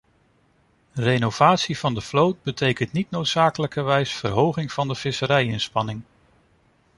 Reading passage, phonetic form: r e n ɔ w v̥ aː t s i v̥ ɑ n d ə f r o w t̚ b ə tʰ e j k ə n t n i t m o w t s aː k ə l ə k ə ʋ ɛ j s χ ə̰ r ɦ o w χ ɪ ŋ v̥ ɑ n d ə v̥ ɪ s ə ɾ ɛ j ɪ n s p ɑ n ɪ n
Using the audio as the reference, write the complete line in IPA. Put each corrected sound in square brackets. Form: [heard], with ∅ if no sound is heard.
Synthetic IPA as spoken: r e n [o] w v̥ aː t s i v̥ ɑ n d ə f [l] o w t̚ b ə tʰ e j k ə n t n i t [n] o w t s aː k ə l ə k ə ʋ ɛ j s [f] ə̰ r ɦ o w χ ɪ ŋ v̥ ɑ n d ə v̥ ɪ s ə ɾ ɛ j ɪ n s p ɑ n ɪ [ŋ]